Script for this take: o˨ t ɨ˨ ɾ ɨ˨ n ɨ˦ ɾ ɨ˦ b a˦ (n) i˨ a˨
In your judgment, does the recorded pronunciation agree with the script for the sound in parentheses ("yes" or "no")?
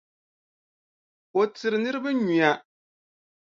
no